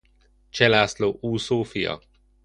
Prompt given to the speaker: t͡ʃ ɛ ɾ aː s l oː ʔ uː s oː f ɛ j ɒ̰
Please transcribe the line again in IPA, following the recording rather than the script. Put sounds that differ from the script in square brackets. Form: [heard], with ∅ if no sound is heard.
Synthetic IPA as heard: t͡ʃ ɛ [l] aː s l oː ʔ uː s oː f [i] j ɒ̰